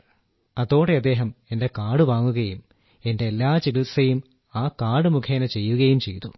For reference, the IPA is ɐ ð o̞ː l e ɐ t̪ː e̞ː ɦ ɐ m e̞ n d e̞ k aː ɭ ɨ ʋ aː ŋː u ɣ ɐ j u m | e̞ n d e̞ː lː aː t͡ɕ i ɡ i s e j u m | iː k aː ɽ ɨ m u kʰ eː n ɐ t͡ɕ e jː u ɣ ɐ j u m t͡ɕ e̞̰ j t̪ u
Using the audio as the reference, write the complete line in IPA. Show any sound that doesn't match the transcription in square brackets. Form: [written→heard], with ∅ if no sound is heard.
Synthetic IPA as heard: ɐ ð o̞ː [l→ɽ] e ɐ [t̪ː→d̪ː] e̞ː ɦ ɐ m e̞ n d e̞ k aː [ɭ→ɽ] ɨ ʋ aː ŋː u ɣ ɐ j u m | e̞ n d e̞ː lː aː t͡ɕ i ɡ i s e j u m | [iː→aː] k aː ɽ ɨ m u kʰ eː n ɐ t͡ɕ e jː u ɣ ɐ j u m t͡ɕ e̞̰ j t̪ u